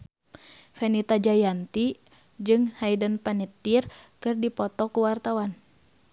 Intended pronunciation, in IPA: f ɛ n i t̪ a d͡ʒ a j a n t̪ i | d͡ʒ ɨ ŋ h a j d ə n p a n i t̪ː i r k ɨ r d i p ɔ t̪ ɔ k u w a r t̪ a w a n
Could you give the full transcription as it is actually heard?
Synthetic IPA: f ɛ n i t̪ a d͡ʒ a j a n t̪ i | d͡ʒ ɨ ŋ h a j d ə n p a n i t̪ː i r k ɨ r d i p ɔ t̪ ɔ k u w a r t̪ a w a n